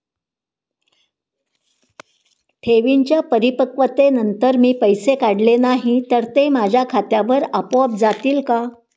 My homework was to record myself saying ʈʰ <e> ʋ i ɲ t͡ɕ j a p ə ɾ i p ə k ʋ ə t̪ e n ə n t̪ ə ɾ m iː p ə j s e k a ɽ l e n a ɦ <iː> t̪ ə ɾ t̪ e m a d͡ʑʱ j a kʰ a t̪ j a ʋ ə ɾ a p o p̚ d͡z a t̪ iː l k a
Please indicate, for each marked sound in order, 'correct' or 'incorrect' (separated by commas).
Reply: correct, incorrect